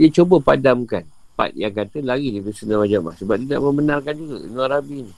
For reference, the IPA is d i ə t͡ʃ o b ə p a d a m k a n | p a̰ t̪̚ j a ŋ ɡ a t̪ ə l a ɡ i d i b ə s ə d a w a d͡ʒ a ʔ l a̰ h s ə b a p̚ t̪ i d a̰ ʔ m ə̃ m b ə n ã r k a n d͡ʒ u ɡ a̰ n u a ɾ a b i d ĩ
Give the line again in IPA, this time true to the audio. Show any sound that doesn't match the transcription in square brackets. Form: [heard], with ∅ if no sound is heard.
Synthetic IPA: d i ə t͡ʃ o b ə p a d a m k a n | p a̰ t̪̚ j a ŋ [k] a t̪ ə l a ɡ i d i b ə s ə [n] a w a d͡ʒ a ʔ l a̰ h s ə b a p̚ t̪ i d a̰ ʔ m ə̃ m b ə n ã r k a n d͡ʒ u ɡ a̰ n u a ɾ a b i [n] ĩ